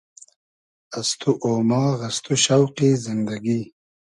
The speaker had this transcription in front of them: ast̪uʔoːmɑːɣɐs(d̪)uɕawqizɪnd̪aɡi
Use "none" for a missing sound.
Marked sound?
t̪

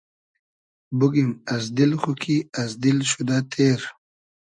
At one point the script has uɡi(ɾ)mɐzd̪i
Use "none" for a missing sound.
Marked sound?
none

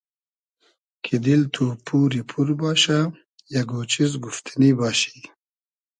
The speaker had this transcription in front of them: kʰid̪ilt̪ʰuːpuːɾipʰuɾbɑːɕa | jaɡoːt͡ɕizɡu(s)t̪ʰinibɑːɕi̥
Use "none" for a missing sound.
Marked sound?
f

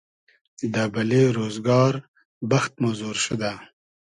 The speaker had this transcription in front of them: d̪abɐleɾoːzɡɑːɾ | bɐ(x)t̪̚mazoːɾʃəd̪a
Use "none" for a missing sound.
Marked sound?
x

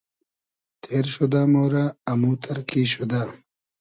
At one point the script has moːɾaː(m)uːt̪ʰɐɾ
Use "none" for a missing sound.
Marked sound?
m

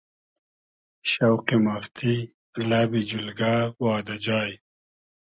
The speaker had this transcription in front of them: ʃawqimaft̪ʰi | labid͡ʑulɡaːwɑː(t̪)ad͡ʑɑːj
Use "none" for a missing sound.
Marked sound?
d̪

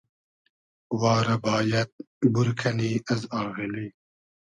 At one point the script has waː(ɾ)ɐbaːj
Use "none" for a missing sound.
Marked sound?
ɾ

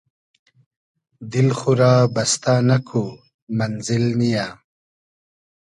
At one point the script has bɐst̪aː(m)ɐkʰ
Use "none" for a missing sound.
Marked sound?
n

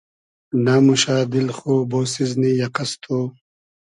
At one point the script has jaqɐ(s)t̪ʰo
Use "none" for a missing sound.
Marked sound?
s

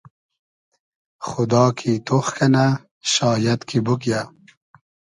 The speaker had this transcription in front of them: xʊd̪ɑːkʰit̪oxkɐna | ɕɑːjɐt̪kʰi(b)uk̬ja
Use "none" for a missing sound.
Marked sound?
b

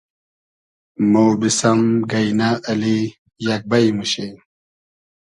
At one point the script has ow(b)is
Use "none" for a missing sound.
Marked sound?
b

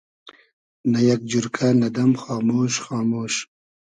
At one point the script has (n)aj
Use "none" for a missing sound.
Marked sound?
n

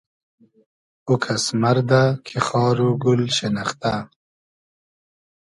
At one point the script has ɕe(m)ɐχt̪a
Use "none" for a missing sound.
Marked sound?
n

